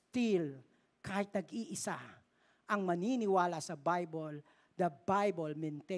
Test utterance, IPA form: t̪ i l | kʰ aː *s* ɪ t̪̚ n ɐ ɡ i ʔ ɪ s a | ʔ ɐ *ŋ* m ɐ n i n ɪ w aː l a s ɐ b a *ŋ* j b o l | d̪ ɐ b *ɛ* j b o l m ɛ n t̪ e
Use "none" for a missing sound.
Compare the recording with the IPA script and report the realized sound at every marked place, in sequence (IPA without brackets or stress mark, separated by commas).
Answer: h, ŋ, none, a